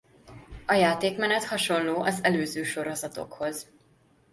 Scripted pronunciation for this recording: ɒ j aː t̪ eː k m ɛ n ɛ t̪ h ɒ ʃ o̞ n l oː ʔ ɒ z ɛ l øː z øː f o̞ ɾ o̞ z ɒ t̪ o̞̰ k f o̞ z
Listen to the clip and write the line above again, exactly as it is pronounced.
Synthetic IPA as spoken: ɒ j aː t̪ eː k m ɛ n ɛ t̪ h ɒ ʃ o̞ n l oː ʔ ɒ z ɛ l øː z øː ʃ o̞ ɾ o̞ z ɒ t̪ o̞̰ k h o̞ z